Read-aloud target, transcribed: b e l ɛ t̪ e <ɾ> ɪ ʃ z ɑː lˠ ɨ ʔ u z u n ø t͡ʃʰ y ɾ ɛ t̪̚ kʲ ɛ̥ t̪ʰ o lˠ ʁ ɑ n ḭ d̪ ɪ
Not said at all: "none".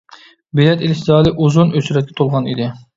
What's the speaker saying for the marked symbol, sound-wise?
l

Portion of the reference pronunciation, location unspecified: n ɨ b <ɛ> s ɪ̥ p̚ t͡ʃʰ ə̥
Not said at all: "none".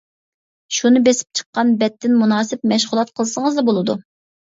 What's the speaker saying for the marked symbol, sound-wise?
e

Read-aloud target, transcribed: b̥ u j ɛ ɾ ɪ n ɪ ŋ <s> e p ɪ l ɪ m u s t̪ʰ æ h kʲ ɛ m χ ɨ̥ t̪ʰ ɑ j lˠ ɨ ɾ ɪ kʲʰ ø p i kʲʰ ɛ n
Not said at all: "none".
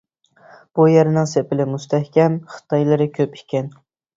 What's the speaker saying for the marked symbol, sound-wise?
s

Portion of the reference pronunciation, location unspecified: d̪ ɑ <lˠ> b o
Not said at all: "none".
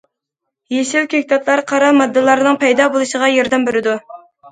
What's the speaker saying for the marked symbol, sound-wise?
none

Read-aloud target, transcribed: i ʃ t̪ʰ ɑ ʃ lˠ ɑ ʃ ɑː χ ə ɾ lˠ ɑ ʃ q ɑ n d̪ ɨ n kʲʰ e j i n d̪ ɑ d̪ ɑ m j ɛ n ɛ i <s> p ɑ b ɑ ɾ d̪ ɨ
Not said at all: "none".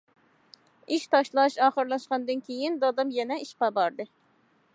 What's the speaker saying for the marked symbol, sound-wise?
ʃ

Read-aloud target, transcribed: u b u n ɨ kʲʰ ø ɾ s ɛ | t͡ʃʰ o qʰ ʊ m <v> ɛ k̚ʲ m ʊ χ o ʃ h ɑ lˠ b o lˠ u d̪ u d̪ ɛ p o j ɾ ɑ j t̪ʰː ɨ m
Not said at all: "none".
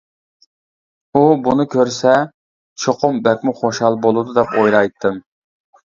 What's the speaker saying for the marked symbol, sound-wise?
b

